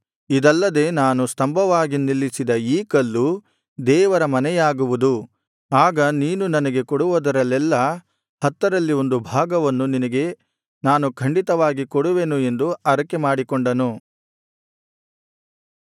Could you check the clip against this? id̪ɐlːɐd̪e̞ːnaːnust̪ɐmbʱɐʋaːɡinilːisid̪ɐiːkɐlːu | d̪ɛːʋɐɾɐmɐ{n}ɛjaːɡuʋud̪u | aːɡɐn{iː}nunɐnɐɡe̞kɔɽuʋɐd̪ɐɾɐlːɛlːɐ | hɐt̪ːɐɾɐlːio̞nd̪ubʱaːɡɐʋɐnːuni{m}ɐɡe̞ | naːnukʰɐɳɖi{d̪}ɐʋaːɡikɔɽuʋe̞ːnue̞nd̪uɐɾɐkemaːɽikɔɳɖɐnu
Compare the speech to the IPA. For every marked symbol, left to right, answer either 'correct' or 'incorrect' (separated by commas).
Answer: correct, correct, incorrect, incorrect